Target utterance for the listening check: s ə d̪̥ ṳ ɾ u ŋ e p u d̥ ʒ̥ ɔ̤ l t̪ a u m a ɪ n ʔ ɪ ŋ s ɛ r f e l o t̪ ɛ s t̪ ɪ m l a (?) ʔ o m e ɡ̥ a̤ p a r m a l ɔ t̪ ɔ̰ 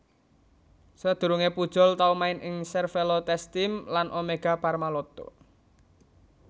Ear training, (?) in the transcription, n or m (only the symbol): n